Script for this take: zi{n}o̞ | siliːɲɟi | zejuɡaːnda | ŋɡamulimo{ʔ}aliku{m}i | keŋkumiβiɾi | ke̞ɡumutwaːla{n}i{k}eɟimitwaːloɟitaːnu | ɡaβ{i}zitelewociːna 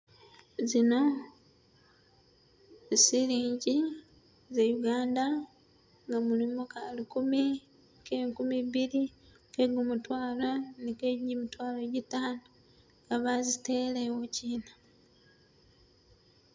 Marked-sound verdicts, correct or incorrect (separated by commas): correct, incorrect, correct, correct, correct, incorrect